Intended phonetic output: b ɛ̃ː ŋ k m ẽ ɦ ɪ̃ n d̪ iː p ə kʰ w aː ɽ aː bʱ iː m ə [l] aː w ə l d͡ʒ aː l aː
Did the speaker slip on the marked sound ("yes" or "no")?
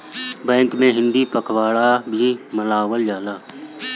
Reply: no